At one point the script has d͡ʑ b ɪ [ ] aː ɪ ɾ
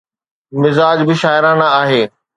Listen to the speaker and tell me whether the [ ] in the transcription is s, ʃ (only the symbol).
ʃ